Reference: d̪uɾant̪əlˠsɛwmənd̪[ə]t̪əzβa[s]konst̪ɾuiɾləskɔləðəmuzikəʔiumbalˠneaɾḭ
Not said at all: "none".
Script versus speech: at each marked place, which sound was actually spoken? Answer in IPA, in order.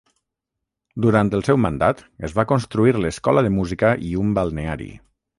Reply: a, none

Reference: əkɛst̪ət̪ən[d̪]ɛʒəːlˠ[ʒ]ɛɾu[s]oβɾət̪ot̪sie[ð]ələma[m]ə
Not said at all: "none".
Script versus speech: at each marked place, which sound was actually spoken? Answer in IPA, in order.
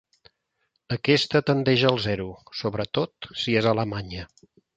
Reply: d̪, z, s, z, ɲ

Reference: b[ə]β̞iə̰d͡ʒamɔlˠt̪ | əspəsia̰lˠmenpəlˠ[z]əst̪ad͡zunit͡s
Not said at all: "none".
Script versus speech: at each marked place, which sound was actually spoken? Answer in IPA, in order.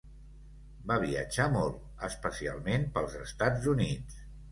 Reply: a, z

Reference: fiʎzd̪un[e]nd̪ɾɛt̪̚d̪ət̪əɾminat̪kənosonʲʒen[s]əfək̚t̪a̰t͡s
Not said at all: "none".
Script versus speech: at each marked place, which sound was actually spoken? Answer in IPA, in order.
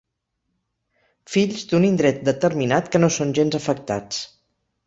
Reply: i, z

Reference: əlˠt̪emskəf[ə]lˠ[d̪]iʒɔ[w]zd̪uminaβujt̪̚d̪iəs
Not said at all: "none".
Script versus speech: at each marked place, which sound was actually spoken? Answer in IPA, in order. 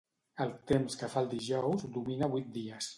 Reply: a, d̪, w

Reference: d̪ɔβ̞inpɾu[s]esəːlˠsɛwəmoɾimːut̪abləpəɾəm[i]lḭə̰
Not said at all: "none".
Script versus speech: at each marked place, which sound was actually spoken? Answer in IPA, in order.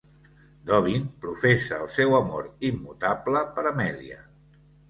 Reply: f, ɛ

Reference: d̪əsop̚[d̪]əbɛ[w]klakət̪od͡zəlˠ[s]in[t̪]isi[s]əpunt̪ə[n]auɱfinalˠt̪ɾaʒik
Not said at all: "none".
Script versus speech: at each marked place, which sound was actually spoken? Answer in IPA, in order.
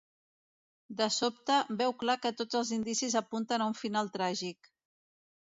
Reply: t̪, w, z, d̪, z, n

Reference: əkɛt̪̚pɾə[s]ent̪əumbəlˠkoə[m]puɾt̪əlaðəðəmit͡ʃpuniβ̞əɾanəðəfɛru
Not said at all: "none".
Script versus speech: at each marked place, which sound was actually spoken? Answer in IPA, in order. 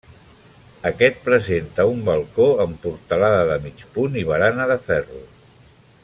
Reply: z, m

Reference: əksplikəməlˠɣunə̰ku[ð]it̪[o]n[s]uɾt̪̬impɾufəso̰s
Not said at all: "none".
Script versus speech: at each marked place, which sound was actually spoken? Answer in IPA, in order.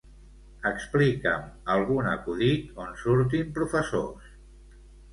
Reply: ð, o, s

